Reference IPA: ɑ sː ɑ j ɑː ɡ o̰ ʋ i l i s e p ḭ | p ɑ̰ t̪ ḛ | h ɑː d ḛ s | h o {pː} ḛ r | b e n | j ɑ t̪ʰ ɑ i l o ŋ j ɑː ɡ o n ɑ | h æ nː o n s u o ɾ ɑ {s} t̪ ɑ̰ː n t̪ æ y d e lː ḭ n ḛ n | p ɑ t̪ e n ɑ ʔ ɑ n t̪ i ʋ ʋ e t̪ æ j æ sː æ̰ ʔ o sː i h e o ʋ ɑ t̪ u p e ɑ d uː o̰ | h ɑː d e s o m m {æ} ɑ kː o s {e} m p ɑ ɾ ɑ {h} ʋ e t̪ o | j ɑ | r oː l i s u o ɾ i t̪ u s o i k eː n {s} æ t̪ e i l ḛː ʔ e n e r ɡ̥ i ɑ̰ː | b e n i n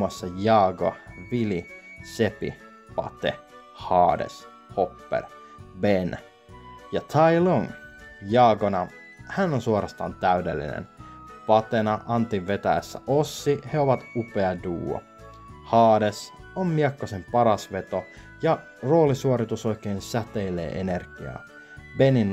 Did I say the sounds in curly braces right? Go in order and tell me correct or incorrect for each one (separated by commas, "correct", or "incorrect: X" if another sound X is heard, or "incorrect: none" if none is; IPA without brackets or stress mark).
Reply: correct, correct, incorrect: i, correct, incorrect: s, correct